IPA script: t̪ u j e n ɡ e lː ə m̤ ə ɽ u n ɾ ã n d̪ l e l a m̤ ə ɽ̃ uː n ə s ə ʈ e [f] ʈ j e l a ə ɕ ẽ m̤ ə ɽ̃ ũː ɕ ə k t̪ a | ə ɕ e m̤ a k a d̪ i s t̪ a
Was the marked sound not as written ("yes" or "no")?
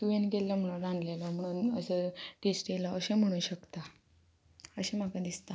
yes